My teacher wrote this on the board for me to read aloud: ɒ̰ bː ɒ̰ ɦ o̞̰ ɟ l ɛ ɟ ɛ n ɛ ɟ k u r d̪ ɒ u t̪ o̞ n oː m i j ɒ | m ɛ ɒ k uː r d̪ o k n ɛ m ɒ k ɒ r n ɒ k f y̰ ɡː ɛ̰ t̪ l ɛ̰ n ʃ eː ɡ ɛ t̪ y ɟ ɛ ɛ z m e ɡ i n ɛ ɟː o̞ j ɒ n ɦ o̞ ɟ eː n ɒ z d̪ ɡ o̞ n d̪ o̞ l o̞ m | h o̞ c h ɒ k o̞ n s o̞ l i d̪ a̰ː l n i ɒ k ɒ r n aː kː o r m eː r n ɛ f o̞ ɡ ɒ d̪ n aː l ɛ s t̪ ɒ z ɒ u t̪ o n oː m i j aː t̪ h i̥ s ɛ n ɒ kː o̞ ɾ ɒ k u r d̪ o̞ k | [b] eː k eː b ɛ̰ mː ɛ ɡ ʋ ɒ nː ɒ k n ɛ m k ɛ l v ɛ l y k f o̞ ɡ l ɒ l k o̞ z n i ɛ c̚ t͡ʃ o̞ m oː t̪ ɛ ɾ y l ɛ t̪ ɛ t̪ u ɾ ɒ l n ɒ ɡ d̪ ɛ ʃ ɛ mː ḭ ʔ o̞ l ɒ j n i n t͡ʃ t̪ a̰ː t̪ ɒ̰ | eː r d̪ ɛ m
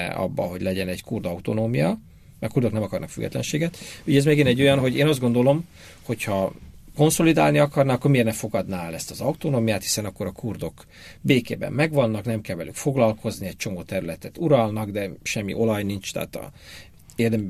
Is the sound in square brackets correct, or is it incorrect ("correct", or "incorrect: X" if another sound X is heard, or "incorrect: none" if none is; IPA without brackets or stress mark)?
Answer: correct